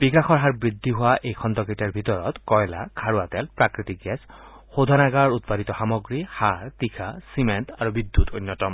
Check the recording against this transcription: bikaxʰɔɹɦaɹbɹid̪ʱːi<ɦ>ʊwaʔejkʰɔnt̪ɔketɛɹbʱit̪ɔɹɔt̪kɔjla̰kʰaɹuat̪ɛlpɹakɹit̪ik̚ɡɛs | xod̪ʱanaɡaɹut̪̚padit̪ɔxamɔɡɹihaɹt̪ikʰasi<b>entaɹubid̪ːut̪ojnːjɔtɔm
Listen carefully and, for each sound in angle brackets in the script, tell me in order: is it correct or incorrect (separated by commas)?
correct, incorrect